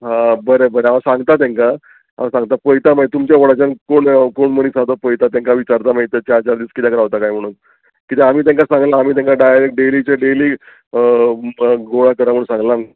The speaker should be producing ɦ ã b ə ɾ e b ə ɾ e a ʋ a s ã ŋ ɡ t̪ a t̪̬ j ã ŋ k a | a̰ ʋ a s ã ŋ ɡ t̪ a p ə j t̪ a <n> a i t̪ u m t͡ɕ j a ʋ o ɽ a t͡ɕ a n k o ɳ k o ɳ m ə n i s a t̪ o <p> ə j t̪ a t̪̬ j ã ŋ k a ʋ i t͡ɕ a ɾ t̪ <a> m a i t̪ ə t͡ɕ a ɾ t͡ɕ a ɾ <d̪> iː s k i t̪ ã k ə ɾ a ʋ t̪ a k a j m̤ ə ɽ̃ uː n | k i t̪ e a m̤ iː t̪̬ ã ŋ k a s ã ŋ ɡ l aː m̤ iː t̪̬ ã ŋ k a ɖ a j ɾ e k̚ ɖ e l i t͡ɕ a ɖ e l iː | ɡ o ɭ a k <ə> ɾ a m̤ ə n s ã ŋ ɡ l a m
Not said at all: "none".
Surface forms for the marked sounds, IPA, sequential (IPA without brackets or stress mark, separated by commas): m, p, a, d̪, ə